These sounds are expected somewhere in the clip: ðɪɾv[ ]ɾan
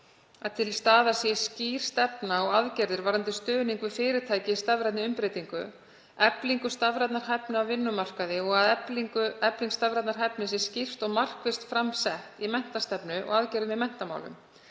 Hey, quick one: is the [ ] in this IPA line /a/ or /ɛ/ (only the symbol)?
a